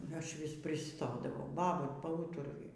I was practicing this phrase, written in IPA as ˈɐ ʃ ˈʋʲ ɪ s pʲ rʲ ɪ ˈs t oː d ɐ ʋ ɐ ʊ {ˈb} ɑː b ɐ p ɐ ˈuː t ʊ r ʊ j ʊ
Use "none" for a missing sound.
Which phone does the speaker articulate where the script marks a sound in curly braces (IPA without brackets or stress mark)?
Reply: b